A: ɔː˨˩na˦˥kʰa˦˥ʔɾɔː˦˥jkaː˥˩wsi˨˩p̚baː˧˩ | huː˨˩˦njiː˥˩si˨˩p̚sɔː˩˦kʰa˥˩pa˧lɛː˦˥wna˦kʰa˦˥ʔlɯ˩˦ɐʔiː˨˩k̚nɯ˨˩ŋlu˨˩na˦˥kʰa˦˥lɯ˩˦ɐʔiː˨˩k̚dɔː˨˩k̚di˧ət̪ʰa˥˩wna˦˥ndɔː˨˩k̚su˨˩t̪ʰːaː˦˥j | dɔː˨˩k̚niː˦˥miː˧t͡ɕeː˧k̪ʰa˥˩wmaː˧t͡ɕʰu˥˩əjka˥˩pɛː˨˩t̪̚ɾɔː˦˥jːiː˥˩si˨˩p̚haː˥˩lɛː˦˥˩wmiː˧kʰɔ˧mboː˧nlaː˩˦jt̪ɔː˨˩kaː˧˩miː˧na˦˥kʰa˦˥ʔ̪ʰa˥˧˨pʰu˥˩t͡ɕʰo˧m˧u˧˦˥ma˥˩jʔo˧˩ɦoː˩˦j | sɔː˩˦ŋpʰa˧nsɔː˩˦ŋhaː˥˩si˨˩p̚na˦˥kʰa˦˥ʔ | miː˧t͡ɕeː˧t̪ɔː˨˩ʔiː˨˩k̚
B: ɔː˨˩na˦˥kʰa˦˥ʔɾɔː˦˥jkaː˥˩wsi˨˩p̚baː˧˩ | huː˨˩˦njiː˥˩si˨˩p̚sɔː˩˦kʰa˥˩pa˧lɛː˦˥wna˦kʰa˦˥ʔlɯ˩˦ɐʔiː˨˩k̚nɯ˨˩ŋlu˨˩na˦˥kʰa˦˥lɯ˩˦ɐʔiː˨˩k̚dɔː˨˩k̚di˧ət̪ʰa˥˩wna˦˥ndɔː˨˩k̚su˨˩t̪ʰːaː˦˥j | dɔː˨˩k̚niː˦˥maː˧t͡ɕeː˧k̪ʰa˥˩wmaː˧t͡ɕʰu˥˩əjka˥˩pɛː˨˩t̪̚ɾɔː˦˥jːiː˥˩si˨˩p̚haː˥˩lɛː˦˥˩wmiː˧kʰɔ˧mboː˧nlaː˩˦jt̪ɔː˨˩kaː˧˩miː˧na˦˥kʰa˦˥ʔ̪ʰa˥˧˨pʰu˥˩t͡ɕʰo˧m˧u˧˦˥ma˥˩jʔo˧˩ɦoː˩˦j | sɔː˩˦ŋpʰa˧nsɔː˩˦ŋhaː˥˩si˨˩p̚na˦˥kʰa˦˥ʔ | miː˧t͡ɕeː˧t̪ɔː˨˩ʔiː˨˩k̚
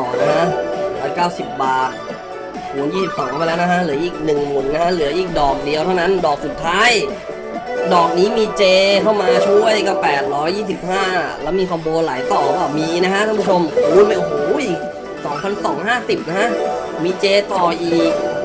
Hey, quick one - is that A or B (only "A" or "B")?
A